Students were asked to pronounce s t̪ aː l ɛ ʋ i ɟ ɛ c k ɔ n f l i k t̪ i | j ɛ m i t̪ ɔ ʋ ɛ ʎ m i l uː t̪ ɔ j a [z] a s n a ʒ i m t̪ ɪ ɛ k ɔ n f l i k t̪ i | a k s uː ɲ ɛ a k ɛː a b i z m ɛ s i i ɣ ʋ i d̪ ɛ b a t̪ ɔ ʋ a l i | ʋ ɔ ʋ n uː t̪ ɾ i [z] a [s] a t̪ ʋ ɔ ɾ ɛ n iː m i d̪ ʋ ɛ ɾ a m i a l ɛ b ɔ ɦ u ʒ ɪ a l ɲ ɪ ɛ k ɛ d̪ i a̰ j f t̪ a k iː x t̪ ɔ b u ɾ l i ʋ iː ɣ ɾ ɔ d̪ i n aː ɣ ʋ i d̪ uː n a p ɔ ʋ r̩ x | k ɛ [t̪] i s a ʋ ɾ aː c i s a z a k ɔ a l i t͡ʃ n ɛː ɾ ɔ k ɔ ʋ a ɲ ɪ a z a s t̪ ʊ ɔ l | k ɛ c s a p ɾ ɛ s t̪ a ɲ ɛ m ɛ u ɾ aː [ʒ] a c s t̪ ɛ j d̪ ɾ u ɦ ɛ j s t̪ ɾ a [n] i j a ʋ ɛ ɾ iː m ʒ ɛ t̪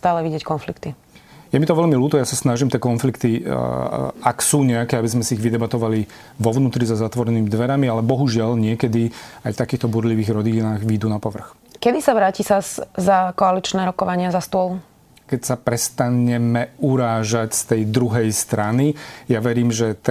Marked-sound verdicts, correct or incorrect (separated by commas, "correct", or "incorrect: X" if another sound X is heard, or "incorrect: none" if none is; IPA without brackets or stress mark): incorrect: s, correct, incorrect: z, incorrect: d̪, correct, correct